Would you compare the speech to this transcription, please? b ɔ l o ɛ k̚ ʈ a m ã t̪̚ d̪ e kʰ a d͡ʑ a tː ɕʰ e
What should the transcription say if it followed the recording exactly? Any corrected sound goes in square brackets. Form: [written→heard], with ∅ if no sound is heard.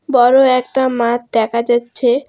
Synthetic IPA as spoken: b ɔ [l→ɾ] o ɛ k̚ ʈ a m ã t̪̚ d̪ [e→ɛ] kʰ a d͡ʑ a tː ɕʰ e

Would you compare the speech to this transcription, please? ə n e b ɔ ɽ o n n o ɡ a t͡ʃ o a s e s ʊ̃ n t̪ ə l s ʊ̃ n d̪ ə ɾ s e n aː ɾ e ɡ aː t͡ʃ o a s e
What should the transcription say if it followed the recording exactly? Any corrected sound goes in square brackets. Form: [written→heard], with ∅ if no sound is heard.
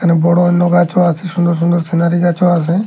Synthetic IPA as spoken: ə n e b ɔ ɽ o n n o ɡ a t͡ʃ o a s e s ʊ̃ n [t̪→d̪] ə [l→ɾ] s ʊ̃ n d̪ ə ɾ s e n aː ɾ [e→i] ɡ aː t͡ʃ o a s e

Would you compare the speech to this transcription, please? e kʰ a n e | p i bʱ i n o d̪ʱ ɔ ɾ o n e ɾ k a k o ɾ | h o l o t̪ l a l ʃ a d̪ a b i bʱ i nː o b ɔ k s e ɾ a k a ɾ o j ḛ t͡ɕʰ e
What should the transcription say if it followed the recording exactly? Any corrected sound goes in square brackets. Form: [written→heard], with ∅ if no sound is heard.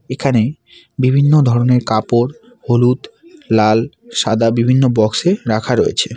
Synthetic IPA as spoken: e kʰ a n e | [p→b] i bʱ i [n→nː] o d̪ʱ ɔ ɾ o n e ɾ k a [k→p] o ɾ | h o l [o→u] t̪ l a l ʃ a d̪ a b i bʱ i nː o b ɔ k s e ɾ a [k→kʰ] a ɾ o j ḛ t͡ɕʰ e

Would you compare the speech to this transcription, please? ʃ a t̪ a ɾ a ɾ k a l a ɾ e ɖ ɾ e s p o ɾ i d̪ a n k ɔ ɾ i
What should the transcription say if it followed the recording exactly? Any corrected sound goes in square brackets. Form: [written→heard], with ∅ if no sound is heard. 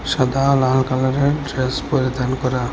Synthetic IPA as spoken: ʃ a [t̪→d̪] a [ɾ→l] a [ɾ→l] k a l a ɾ e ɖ ɾ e s p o ɾ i d̪ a n k ɔ ɾ [i→a]

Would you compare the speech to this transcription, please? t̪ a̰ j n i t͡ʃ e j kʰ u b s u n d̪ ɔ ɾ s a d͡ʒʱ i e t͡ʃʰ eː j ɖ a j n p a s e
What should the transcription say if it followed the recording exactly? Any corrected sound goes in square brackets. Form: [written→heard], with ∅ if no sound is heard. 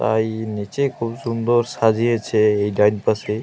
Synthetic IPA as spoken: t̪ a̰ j n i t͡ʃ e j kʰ u b s u n d̪ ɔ ɾ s a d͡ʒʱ i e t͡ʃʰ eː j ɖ a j n p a s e

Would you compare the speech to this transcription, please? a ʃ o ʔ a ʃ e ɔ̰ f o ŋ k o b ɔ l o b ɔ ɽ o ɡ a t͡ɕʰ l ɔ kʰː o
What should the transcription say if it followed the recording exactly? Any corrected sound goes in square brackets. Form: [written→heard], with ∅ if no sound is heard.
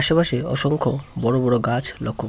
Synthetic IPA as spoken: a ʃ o [ʔ→p] a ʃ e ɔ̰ [f→ʃ] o ŋ [k→kʰ] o b ɔ [l→ɽ] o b ɔ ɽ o ɡ a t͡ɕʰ l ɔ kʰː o

